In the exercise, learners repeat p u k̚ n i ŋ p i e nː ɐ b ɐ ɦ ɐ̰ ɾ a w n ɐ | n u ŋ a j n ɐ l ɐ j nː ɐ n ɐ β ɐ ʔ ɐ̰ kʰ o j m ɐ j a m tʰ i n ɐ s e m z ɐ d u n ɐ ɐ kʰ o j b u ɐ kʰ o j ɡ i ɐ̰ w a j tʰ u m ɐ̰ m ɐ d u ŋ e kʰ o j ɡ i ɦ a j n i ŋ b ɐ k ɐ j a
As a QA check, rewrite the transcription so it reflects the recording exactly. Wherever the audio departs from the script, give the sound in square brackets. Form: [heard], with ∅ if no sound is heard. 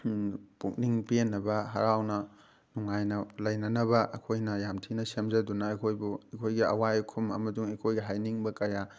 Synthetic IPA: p u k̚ n i ŋ p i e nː ɐ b ɐ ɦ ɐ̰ ɾ a w n ɐ | n u ŋ a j n ɐ l ɐ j [n] ɐ n ɐ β ɐ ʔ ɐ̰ kʰ o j [n] ɐ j a m tʰ i n ɐ s e m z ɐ d u n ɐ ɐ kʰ o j b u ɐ kʰ o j ɡ i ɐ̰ w a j [kʰ] u m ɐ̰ m ɐ d u ŋ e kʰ o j ɡ i ɦ a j n i ŋ b ɐ k ɐ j a